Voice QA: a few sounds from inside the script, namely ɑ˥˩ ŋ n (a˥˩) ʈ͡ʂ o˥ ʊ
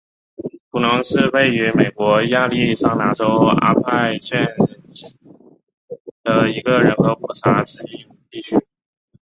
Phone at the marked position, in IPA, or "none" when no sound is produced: a˧˥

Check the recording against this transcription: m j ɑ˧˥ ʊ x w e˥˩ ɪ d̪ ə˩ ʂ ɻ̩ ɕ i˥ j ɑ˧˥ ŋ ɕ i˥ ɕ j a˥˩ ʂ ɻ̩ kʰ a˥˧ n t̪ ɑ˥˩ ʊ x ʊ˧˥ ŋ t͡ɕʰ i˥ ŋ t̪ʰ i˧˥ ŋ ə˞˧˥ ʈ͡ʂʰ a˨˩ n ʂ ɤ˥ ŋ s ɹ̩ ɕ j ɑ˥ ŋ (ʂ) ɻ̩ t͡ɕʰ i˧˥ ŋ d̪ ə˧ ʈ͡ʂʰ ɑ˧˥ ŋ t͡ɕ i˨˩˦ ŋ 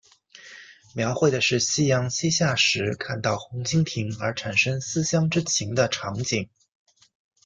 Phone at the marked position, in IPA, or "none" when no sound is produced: ʈ͡ʂ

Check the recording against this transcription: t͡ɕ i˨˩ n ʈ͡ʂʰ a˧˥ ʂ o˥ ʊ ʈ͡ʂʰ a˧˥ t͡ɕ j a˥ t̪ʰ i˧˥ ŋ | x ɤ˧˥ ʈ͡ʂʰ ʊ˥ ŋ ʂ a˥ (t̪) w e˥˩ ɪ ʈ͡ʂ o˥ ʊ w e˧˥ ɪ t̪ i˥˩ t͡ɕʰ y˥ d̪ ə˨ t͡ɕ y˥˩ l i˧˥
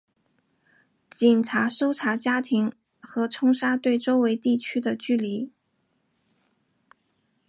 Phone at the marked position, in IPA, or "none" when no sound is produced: t̪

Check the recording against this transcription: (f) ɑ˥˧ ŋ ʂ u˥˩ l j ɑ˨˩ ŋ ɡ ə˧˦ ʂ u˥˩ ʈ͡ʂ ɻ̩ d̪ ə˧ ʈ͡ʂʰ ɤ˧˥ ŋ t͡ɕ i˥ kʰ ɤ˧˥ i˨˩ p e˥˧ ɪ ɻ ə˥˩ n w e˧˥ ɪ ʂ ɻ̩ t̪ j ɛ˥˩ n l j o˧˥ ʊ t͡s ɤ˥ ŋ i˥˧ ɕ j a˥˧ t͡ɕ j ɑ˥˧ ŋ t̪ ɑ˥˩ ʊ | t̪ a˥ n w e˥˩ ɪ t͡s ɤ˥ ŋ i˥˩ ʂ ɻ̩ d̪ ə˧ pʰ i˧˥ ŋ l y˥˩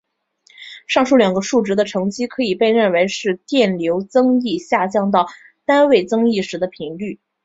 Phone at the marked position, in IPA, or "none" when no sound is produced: ʂ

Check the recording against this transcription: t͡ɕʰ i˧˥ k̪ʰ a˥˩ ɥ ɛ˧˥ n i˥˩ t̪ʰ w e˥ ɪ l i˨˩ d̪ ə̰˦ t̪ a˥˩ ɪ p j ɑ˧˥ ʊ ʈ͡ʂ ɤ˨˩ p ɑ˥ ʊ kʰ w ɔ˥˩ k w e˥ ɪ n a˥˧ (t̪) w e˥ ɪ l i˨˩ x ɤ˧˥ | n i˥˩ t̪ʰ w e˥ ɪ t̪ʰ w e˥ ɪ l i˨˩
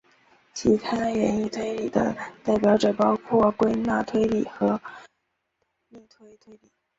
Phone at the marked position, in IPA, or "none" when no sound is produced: t̪ʰ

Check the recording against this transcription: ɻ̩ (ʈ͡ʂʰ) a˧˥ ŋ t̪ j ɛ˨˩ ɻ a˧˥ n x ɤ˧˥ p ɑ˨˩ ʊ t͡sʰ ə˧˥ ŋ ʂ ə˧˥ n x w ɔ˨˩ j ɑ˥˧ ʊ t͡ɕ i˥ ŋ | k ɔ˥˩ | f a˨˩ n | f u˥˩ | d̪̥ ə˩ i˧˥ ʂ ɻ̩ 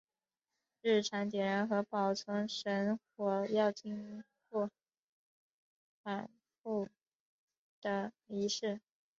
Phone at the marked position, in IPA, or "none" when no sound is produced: ʈ͡ʂʰ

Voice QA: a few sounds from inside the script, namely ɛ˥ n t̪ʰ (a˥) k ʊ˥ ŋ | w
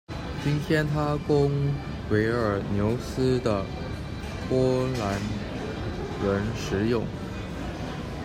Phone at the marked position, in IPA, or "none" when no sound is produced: a˥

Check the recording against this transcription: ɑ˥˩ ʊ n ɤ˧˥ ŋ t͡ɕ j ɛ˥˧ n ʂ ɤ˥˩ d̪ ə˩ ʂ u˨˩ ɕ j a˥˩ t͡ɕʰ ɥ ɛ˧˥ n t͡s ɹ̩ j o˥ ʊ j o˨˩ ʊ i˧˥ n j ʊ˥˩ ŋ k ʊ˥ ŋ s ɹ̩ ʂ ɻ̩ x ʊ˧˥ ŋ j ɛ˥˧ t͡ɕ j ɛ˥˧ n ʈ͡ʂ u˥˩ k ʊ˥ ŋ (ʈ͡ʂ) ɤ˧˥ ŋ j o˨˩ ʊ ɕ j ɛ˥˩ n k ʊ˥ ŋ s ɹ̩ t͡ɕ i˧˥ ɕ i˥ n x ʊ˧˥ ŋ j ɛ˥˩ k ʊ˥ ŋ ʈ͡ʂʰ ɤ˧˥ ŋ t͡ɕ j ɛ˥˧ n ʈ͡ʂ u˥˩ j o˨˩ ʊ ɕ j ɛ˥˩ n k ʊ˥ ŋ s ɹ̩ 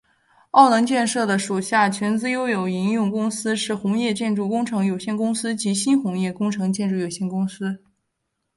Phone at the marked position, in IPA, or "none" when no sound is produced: ʈ͡ʂʰ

